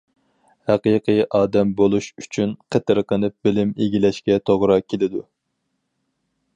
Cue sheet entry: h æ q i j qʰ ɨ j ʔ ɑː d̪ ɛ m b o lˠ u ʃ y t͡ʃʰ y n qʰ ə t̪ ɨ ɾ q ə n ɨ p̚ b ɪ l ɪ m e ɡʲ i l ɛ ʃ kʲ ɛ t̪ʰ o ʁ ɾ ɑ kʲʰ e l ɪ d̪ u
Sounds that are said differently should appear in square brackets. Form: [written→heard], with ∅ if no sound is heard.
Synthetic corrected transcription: h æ q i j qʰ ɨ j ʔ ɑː d̪ ɛ m b o lˠ u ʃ y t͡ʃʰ y n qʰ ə t̪ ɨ ɾ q ə n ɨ p̚ b ɪ l ɪ m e ɡʲ i l ɛ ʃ kʲ ɛ t̪ʰ o ʁ ɾ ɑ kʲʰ e l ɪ d̪ u